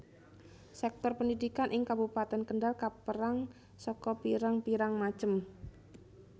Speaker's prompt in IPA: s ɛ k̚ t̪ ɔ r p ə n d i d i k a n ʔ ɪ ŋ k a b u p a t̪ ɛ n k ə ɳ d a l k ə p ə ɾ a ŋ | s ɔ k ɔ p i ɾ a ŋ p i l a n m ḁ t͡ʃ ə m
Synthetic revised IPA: s ɛ k̚ t̪ ɔ r p ə n d i d i k a n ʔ ɪ ŋ k a b u p a t̪ ɛ n k ə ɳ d a l k a p ə ɾ a ŋ | s ɔ k ɔ p i ɾ a ŋ p i ɾ a ŋ m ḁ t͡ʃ ə m